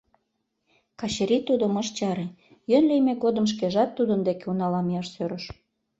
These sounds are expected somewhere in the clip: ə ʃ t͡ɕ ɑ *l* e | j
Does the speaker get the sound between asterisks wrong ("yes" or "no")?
yes